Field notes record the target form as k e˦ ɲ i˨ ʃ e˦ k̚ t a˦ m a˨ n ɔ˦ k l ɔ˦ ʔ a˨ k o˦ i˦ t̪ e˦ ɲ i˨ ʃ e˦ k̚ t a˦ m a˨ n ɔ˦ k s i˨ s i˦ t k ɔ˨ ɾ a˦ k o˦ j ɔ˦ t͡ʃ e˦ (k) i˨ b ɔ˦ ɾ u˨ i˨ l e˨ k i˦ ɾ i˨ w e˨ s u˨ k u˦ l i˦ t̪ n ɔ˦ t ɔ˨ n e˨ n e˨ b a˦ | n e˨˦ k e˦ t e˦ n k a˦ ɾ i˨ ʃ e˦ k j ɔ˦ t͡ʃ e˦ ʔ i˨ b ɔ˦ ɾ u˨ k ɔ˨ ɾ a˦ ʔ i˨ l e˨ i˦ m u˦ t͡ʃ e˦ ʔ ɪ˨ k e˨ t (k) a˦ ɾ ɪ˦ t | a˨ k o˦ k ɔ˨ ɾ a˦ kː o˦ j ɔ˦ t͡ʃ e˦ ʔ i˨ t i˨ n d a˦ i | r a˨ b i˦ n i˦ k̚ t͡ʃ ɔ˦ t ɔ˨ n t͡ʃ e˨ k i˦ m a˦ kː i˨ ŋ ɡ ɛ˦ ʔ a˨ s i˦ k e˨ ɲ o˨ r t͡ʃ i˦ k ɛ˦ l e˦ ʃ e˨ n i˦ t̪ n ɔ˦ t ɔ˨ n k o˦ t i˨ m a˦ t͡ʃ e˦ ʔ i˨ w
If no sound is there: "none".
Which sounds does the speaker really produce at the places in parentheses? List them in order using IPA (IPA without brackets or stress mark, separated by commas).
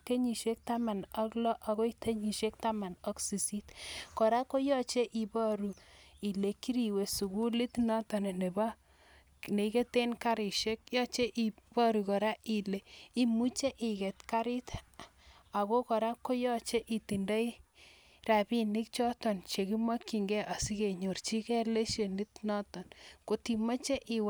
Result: ʔ, k